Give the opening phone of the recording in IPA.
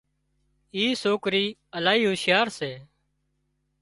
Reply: iː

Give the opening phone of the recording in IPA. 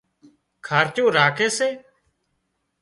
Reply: kʰ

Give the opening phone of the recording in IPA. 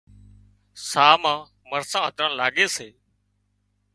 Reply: s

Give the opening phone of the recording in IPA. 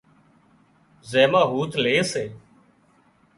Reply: z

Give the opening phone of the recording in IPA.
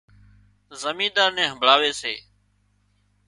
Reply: z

